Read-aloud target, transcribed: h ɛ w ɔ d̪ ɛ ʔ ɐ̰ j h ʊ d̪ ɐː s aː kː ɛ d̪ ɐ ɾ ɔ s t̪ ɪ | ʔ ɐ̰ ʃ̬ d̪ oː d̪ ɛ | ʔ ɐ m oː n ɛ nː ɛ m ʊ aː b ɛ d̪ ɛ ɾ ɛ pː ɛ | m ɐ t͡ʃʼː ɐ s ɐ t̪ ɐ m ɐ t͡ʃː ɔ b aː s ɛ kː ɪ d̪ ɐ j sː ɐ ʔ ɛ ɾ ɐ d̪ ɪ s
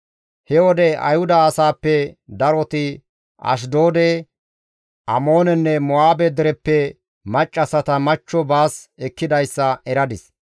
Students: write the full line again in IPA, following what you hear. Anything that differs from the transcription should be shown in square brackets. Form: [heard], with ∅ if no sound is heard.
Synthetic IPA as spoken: h ɛ w ɔ d̪ ɛ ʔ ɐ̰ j h ʊ d̪ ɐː s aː [pː] ɛ d̪ ɐ ɾ ɔ [∅] t̪ ɪ | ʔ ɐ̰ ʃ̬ d̪ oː d̪ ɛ | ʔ ɐ m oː n ɛ nː ɛ m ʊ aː b ɛ d̪ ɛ ɾ ɛ pː ɛ | m ɐ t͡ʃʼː ɐ s ɐ t̪ ɐ m ɐ t͡ʃː ɔ b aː s ɛ kː ɪ d̪ ɐ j sː ɐ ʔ ɛ ɾ ɐ d̪ ɪ s